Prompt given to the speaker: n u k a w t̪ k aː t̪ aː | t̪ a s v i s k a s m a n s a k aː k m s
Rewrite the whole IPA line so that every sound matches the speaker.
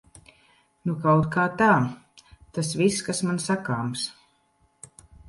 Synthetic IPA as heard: n u k a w t̪ k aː t̪ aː | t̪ a s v i s k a s m a n s a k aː m s